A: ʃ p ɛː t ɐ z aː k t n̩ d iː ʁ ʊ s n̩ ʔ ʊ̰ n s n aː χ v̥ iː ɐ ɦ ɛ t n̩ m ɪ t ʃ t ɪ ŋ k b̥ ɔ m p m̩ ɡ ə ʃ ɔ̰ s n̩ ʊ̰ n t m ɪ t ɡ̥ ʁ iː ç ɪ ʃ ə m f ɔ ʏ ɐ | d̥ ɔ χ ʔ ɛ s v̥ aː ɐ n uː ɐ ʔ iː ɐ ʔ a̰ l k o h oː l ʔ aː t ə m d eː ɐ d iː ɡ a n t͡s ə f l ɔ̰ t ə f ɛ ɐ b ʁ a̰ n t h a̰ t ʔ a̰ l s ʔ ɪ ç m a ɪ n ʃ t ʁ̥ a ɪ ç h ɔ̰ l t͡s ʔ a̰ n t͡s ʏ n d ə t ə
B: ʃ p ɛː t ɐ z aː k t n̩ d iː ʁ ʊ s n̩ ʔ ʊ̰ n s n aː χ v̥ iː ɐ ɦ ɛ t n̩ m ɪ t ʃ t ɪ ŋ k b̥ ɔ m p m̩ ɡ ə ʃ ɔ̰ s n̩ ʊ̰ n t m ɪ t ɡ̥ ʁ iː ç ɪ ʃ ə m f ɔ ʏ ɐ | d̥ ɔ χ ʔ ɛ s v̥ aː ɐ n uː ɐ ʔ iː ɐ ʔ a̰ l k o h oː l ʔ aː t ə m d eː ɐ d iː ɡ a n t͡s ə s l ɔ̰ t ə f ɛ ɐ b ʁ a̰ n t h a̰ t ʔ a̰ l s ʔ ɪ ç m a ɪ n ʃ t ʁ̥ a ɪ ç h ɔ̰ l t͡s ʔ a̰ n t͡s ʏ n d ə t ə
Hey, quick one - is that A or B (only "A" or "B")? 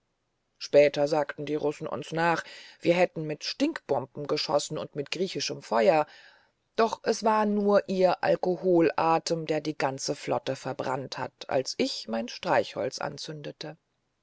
A